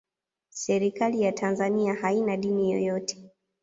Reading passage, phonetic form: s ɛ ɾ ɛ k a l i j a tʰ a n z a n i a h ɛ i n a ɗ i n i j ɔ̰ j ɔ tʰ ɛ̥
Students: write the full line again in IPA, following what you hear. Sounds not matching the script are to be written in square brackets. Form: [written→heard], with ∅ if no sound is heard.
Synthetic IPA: s ɛ ɾ [ɛ→i] k a l i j a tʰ a n z a n i a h [ɛ→a] i n a ɗ i n i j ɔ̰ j ɔ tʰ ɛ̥